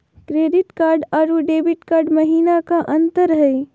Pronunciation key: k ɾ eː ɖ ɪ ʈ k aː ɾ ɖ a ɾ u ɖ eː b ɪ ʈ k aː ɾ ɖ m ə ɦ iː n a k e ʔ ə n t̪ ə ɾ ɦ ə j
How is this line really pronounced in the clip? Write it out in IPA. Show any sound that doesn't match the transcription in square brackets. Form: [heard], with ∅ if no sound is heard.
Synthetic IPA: k ɾ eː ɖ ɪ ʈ k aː ɾ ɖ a ɾ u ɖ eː b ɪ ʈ k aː ɾ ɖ m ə ɦ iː n a k [a] ʔ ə n t̪ ə ɾ ɦ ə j

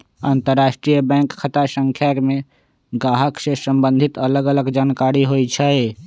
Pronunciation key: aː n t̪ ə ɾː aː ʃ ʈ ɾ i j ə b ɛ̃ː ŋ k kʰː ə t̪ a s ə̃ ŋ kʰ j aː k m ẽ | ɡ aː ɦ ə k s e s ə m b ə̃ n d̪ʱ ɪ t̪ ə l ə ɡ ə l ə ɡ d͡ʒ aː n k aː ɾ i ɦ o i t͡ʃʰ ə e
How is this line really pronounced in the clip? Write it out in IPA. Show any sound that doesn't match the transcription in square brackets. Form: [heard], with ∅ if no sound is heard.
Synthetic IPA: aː n t̪ ə ɾː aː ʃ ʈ ɾ i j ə b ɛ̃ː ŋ k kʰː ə t̪ a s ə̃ ŋ kʰ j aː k m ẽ | ɡ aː ɦ ə k s e s ə m b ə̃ n d̪ʱ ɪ t̪ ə l ə ɡ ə l ə ɡ d͡ʒ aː n k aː ɾ i ɦ o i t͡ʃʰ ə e

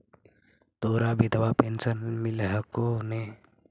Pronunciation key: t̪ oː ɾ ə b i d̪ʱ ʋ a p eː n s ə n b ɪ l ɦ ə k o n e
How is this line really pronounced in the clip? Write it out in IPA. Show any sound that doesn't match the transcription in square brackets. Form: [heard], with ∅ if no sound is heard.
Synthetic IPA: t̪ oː ɾ [a] b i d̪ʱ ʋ a p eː n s ə n [m] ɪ l ɦ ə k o n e

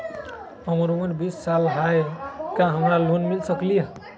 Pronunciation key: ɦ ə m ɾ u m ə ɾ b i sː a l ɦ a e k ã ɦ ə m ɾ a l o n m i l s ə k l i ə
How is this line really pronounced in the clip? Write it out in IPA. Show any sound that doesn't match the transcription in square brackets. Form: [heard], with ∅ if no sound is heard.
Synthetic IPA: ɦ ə m ɾ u m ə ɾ b i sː a l ɦ a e k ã ɦ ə m ɾ a l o n m i l s ə k l i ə

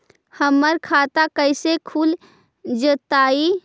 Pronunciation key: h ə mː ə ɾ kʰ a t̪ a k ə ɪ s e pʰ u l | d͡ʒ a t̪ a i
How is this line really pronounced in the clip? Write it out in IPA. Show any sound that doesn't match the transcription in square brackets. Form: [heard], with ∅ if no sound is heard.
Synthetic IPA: h ə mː ə ɾ kʰ a t̪ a k ə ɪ s e [kʰ] u l | d͡ʒ [ə] t̪ a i

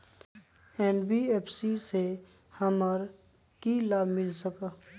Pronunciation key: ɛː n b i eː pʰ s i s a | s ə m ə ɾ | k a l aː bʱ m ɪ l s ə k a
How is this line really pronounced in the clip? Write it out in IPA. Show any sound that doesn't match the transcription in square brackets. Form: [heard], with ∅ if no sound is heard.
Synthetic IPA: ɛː n b i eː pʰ s i s [e] | [h] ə m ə ɾ | k [i] l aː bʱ m ɪ l s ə k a

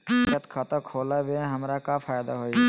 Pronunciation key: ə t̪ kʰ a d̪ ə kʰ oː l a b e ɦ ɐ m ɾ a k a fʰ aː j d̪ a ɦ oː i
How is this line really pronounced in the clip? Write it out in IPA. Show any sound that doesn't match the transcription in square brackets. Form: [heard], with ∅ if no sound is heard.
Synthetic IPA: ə t̪ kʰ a [t̪] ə kʰ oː l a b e ɦ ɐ m ɾ a k a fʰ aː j d̪ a ɦ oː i

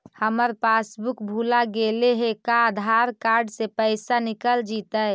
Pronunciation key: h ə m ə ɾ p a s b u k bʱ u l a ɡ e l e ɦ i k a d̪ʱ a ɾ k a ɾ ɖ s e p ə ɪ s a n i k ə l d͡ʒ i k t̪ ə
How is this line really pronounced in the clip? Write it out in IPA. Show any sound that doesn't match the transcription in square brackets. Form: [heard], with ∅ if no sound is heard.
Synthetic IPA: h ə m ə ɾ p a s b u k bʱ u l a ɡ e l e ɦ [e] k a d̪ʱ a ɾ k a ɾ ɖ s e p ə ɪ s a n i k ə l d͡ʒ i [∅] t̪ ə

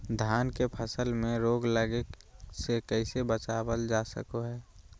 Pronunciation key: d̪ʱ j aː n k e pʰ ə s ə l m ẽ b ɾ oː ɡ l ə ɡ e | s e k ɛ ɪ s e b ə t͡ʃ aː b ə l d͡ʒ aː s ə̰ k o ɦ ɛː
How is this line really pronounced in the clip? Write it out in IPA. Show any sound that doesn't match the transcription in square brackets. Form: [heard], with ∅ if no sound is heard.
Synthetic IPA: d̪ʱ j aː n k e pʰ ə s ə l m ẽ [∅] ɾ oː ɡ l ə ɡ e | s e k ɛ ɪ s e b ə t͡ʃ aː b ə l d͡ʒ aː s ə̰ k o ɦ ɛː

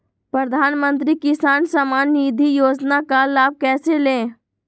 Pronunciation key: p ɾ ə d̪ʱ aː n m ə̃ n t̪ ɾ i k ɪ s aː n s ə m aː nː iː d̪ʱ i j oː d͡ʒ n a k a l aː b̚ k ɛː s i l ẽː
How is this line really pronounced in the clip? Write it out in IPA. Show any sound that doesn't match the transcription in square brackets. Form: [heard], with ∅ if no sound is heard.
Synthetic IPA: p ɾ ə d̪ʱ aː n m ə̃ n t̪ ɾ i k ɪ s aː n s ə m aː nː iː d̪ʱ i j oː d͡ʒ n a k a l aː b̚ k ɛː s [e] l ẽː

